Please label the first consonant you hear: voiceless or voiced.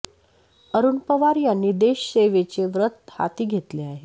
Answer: voiced